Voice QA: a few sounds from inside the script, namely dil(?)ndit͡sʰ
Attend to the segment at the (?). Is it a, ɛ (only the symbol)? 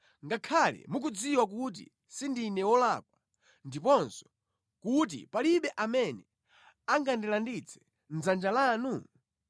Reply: a